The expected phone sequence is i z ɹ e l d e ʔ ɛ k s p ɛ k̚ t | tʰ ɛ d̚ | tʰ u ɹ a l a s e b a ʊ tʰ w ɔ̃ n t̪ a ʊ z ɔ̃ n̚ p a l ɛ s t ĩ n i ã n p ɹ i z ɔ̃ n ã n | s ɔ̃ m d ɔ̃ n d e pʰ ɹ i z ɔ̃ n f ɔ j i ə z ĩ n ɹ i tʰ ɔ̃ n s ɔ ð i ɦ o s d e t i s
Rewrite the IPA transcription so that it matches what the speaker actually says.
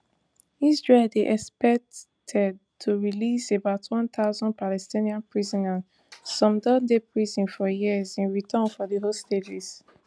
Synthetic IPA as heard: i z ɹ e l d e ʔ ɛ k s p ɛ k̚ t | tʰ ɛ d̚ | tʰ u ɹ i l i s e b a ʊ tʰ w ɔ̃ n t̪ a ʊ z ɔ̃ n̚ p a l ɛ s t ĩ n i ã n p ɹ i z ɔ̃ n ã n | s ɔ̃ m d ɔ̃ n d e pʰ ɹ i z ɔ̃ n f ɔ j i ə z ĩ n ɹ i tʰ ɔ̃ n f ɔ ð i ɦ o s t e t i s